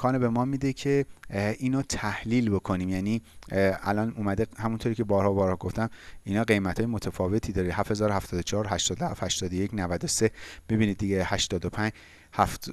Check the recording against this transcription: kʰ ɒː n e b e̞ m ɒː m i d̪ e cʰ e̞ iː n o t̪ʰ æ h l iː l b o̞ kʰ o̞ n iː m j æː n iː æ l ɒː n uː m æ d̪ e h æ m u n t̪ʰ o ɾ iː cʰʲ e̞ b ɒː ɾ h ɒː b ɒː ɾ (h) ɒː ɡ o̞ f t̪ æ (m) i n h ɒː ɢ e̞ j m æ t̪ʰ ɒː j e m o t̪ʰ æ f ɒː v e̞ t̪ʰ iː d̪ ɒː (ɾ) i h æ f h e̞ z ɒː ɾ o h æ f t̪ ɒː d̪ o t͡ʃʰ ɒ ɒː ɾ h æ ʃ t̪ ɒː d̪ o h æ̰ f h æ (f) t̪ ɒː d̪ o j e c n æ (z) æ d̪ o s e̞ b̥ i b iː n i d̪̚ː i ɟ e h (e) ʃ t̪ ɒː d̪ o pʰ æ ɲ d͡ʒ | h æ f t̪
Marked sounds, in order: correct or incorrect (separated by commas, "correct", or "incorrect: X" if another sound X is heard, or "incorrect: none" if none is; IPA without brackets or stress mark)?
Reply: correct, correct, correct, incorrect: ʃ, incorrect: v, incorrect: æ